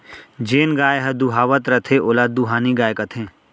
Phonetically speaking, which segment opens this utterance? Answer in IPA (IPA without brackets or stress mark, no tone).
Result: d͡ʒ